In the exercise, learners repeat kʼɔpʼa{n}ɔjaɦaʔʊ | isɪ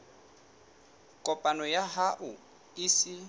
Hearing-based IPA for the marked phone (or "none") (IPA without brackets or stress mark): n